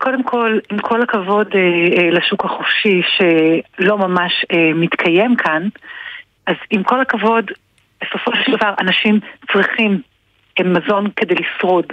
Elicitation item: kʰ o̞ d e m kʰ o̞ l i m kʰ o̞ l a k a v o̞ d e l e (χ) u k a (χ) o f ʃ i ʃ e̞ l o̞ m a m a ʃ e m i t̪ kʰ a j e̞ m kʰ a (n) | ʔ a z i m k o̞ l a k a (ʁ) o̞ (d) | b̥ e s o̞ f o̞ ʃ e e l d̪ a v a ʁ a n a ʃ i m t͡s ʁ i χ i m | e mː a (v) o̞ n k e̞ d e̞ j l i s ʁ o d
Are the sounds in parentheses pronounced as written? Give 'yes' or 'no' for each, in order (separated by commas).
no, yes, yes, no, yes, no